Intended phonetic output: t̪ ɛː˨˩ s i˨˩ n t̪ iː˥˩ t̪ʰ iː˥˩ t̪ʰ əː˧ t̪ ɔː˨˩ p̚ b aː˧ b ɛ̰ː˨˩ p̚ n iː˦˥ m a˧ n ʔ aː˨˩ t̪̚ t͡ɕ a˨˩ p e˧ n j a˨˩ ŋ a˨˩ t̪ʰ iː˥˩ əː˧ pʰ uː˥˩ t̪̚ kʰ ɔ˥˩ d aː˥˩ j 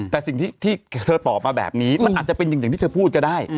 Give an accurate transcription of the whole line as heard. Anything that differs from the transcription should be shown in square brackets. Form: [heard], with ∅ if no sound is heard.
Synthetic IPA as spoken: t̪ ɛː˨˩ s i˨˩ [ŋ] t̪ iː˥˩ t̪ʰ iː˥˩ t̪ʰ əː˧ t̪ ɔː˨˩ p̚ [m] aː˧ b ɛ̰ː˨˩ p̚ n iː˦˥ m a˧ n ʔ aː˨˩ t̪̚ t͡ɕ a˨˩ p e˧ n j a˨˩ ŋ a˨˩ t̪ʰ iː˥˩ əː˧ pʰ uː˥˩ t̪̚ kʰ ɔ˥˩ d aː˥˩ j